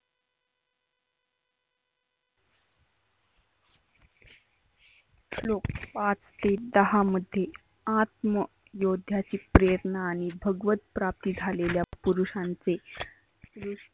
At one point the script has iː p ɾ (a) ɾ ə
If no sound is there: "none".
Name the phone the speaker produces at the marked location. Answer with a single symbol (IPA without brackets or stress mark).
e